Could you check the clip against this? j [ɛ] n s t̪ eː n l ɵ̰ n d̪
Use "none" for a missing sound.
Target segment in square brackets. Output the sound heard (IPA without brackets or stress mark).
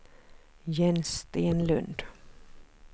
ɛ